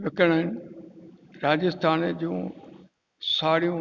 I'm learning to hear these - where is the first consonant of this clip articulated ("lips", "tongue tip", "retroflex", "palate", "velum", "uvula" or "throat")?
lips